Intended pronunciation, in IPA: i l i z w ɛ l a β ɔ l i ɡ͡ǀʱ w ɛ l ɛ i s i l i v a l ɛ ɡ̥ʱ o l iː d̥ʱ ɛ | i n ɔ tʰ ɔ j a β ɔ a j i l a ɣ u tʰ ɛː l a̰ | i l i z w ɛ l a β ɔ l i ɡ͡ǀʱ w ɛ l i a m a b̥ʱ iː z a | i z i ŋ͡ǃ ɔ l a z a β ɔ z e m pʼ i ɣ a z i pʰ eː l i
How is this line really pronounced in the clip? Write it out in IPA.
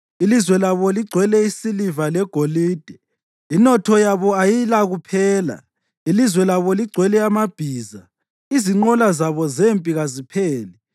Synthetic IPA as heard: i l i z w ɛ l a β ɔ l i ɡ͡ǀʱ w ɛ l ɛ i s i l i v a l ɛ ɡ̥ʱ o l iː d̥ʱ ɛ | i n ɔ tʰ ɔ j a β ɔ a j i l a ɣ u pʰ ɛː l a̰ | i l i z w ɛ l a β ɔ l i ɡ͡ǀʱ w ɛ l ɛ a m a b̥ʱ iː z a | i z i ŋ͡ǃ ɔ l a z a β ɔ z e m pʼ i ɣ a z i pʰ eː l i